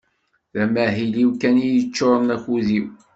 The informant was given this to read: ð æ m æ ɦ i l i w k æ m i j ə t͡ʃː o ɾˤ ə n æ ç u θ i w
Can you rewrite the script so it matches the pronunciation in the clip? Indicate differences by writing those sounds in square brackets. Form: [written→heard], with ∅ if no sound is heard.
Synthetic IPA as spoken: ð æ m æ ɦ i l i w k æ [m→n] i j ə t͡ʃː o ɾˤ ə n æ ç u [θ→ð] i w